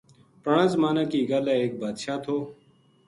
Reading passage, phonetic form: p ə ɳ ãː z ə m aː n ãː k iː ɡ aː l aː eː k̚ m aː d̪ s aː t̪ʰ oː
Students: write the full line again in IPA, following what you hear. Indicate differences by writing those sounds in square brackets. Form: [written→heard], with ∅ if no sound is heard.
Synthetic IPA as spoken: p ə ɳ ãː z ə m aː n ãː k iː ɡ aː l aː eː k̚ [m→b] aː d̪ [s→ʃ] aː t̪ʰ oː